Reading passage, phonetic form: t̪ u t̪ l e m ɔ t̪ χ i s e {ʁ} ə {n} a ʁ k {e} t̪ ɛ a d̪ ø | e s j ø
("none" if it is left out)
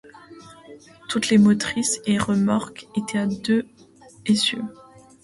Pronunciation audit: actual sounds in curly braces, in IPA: ʁ, m, e

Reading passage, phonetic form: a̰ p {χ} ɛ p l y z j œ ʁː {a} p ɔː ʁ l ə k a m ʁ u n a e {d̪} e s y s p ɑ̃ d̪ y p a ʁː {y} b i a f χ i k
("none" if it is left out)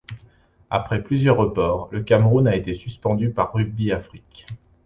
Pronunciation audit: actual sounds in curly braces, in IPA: χ, ə, t̪, y

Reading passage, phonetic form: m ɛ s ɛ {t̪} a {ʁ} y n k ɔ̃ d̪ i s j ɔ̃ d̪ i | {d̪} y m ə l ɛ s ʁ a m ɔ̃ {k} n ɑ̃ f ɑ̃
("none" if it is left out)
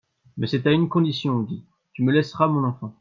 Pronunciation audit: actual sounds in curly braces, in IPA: t̪, none, t̪, none

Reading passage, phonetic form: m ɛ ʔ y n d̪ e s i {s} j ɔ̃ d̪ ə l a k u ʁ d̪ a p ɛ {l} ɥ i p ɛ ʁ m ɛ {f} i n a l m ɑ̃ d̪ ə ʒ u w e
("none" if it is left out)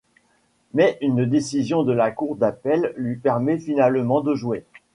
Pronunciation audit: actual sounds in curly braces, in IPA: z, lː, f

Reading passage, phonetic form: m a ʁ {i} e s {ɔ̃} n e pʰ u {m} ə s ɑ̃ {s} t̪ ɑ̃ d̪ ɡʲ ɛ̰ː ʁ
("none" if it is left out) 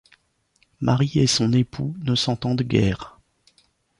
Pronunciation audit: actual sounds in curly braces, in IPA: i, ɔ̃, n, none

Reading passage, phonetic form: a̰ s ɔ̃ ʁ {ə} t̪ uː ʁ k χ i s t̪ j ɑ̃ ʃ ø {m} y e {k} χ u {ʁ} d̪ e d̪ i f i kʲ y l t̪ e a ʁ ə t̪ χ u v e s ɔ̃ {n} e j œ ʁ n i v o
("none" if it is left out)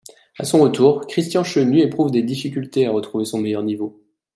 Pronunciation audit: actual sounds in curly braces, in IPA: ə, n, p, v, m

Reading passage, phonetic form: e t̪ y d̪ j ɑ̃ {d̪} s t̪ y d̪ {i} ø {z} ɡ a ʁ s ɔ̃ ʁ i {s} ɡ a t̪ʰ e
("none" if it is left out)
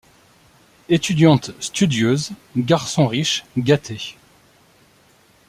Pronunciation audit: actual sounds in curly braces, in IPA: t̪, j, z, ʃ

